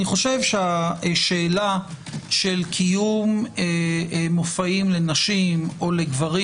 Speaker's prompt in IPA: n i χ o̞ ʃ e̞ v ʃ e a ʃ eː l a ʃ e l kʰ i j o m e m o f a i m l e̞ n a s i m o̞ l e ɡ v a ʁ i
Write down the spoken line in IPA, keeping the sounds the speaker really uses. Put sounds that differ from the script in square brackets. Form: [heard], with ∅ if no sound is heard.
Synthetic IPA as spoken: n i χ o̞ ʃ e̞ v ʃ e a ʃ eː l a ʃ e l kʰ i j [u] m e m o f a i m l e̞ n a [ʃ] i m o̞ l e ɡ v a ʁ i